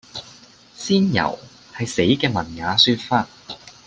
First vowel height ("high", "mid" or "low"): high